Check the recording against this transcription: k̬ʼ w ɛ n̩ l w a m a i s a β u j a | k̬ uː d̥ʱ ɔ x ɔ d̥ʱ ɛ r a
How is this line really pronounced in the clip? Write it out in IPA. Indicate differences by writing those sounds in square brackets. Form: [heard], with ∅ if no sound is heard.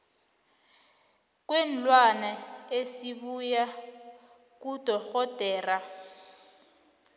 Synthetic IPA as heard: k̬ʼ w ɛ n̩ l w a [n] a [e] s [i] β u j a | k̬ [u] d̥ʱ ɔ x ɔ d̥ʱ [ɛː] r a

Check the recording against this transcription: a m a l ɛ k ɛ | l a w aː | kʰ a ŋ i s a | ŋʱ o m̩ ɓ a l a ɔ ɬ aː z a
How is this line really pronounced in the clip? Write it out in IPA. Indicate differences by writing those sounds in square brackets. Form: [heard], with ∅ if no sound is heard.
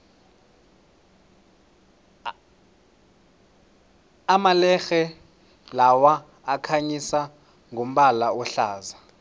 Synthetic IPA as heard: a m a l ɛ [x] ɛ | l a w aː | kʰ a [ɲ] i s a | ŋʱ o m̩ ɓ a l a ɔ ɬ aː z a

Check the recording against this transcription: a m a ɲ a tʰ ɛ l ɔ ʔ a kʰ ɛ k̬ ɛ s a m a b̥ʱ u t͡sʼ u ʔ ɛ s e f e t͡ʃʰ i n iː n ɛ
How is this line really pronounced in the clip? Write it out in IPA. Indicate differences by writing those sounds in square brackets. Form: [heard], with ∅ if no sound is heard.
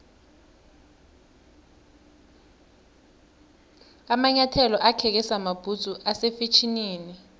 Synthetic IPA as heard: a m a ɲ a tʰ ɛ l ɔ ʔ a kʰ ɛ k̬ ɛ s a m a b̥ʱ u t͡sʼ u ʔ [a] s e f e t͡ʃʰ i n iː n [i]

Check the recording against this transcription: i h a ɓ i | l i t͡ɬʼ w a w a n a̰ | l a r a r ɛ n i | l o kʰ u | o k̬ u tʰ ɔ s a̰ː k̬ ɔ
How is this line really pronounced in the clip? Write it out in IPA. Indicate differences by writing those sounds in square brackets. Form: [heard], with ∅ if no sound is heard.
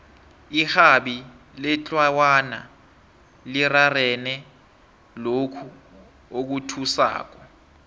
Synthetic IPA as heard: i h a ɓ i | l [ɛ] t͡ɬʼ w a w a n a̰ | l [i] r a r ɛ n [ɛ] | l o kʰ u | o k̬ u tʰ [u] s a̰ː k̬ ɔ

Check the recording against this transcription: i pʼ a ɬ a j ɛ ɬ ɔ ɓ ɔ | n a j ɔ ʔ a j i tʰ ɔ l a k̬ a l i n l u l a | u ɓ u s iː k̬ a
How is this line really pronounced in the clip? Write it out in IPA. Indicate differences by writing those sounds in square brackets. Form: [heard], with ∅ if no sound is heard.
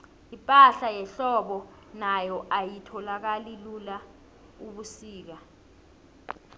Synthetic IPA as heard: i pʼ a ɬ a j ɛ ɬ ɔ ɓ ɔ | n a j ɔ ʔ a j i tʰ ɔ l a k̬ a l i [∅] l u l a | u ɓ u s iː k̬ a

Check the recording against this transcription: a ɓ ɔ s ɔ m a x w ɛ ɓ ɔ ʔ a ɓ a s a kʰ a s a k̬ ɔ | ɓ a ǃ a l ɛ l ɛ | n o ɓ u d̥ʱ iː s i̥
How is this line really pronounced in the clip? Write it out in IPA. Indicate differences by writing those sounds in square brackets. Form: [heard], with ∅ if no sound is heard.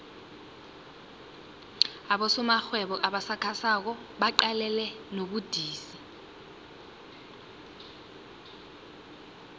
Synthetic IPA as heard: a ɓ ɔ s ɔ m a x w ɛ ɓ ɔ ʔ a ɓ a s a kʰ a s a k̬ ɔ | ɓ a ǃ a l ɛ l ɛ | n o ɓ u d̥ʱ iː s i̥

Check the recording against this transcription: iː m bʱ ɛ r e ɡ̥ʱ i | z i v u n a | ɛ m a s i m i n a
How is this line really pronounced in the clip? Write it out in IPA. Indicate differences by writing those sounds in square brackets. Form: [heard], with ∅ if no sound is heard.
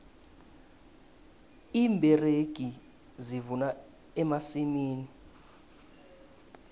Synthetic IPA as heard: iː m bʱ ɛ r e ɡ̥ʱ i | z i v u n a | ɛ m a s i m [iː] n [i]

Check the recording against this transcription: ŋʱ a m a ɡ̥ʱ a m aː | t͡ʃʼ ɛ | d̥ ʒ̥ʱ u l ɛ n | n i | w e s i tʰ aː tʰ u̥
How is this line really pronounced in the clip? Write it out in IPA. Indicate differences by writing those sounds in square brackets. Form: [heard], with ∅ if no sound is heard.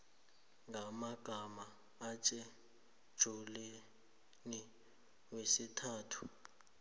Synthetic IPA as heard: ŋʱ a m a ɡ̥ʱ a m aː | t͡ʃʼ ɛ | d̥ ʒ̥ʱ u l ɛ [∅] | n i | w e s i tʰ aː tʰ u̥

